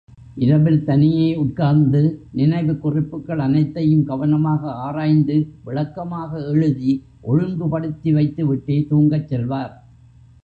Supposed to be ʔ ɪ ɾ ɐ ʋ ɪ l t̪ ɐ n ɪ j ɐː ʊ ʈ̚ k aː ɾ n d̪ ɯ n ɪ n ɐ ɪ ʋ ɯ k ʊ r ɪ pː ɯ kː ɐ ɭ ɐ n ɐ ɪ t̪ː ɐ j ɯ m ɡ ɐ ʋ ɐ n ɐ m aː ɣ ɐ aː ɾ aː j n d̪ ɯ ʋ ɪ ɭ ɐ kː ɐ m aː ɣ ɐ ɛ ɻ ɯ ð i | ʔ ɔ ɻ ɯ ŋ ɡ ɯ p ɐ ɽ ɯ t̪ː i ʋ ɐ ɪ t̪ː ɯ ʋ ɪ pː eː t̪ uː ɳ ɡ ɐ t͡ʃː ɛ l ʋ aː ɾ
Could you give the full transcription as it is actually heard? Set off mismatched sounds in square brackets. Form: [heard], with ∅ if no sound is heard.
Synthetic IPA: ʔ ɪ ɾ ɐ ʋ ɪ l t̪ ɐ n ɪ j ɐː ʊ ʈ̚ k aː ɾ n d̪ ɯ n ɪ n ɐ ɪ ʋ ɯ k ʊ r ɪ pː ɯ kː ɐ ɭ ɐ n ɐ ɪ t̪ː ɐ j ɯ m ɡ ɐ ʋ ɐ n ɐ m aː ɣ ɐ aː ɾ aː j n d̪ ɯ ʋ ɪ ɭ ɐ kː ɐ m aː ɣ ɐ ɛ ɻ ɯ ð i | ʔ ɔ ɻ ɯ ŋ ɡ ɯ p ɐ ɽ ɯ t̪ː i ʋ ɐ ɪ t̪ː ɯ ʋ ɪ [ʈː] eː t̪ uː [ŋ] ɡ ɐ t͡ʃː ɛ l ʋ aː ɾ

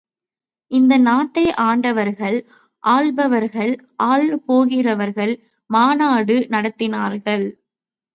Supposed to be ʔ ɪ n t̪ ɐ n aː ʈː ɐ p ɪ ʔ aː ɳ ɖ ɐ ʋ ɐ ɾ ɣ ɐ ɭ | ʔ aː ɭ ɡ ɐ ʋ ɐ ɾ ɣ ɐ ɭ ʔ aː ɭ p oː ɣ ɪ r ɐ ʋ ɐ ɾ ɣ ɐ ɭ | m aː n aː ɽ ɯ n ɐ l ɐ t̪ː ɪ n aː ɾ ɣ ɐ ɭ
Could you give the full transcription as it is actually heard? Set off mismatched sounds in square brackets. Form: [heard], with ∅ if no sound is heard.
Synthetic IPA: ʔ ɪ n [d̪] ɐ n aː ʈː ɐ [∅] ɪ ʔ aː ɳ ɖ ɐ ʋ ɐ ɾ ɣ ɐ ɭ | ʔ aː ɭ [b] ɐ ʋ ɐ ɾ ɣ ɐ ɭ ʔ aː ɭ p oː ɣ ɪ r ɐ ʋ ɐ ɾ ɣ ɐ ɭ | m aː n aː ɽ ɯ n ɐ [ɽ] ɐ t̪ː ɪ n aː ɾ ɣ ɐ ɭ

